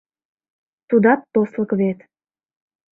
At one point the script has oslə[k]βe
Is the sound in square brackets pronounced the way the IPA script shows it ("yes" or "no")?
yes